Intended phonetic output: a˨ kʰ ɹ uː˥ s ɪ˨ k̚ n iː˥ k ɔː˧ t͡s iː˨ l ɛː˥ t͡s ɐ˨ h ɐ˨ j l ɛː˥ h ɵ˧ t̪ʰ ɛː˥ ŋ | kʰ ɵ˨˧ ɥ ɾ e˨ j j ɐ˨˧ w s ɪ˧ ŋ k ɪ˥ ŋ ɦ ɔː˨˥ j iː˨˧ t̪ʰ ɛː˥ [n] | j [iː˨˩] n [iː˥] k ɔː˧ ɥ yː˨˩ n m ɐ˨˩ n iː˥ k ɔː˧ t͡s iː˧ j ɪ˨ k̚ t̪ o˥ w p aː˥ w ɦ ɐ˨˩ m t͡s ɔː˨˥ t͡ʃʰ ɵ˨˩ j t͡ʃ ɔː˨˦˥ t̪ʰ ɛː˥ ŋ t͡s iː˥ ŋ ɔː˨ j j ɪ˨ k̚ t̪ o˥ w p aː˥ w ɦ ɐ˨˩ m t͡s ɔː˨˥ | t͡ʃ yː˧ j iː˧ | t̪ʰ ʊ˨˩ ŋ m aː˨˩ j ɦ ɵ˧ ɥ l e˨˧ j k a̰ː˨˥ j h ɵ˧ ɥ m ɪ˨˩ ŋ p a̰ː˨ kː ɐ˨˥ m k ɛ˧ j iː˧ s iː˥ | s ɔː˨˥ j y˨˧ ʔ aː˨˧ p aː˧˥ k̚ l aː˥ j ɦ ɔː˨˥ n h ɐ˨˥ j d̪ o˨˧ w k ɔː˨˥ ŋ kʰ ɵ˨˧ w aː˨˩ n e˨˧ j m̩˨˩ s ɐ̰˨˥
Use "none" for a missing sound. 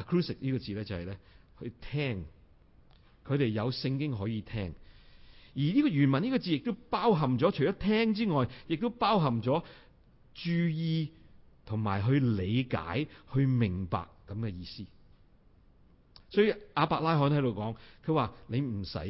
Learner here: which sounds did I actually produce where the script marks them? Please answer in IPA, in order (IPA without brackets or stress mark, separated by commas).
ŋ, iː˨˩, iː˥